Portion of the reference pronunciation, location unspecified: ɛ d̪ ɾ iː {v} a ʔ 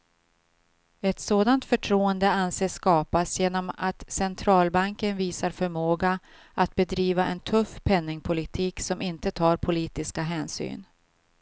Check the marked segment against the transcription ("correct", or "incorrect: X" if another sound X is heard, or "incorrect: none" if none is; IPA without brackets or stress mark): correct